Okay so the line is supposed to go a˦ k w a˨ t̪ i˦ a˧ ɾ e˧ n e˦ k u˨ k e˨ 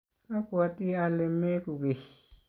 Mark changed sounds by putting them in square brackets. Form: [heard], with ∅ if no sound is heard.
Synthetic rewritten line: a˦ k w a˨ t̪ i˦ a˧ [l] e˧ [m] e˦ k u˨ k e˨